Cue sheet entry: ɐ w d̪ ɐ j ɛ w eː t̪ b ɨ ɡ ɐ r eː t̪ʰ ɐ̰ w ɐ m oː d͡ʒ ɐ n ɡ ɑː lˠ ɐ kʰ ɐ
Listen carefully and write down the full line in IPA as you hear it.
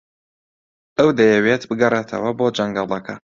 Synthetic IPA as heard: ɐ w d̪ ɐ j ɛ w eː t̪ b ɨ ɡ ɐ r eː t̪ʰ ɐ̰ w ɐ b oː d͡ʒ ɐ ŋ ɡ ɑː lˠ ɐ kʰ ɐ